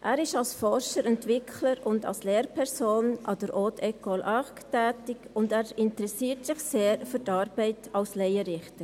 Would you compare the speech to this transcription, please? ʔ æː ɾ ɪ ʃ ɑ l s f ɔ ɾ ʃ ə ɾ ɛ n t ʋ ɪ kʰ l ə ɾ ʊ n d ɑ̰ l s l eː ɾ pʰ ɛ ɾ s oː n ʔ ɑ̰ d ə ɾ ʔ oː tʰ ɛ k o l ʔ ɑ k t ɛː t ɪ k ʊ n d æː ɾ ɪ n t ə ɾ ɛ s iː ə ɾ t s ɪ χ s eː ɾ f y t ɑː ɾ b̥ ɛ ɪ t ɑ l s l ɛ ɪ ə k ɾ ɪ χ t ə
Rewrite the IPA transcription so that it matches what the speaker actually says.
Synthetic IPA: ʔ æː ɾ ɪ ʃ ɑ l s f ɔ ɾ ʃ ə ɾ ɛ n t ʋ ɪ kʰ l ə ɾ ʊ n d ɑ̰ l s l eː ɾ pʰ ɛ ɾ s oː n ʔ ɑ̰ d ə ɾ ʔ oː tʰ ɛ k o l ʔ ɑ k t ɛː t ɪ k ʊ n d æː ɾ ɪ n t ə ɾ ɛ s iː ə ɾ t s ɪ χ s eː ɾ f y t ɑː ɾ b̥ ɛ ɪ t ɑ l s l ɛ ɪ ə ɾ ɪ χ t ə